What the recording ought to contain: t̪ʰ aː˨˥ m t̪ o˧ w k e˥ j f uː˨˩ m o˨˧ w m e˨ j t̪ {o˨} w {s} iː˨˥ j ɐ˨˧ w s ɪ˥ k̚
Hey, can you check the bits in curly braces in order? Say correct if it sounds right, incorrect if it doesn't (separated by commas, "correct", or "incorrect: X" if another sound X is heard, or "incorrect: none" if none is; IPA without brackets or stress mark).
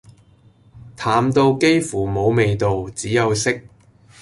correct, incorrect: t͡s